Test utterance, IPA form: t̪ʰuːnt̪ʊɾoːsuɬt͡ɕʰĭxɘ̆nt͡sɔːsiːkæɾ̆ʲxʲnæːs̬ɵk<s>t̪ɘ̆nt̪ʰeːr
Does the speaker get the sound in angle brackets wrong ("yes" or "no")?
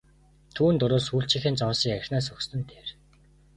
no